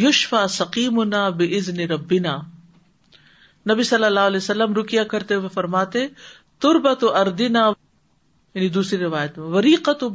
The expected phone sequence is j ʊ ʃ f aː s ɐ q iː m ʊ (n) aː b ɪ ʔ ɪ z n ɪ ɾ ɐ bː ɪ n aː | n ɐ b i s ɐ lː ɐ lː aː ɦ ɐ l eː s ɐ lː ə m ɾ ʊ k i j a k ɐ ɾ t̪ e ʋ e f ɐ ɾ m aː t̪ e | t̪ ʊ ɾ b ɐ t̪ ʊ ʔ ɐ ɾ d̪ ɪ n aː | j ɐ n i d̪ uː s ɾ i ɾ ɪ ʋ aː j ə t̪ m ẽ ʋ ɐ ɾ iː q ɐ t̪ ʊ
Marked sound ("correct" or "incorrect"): correct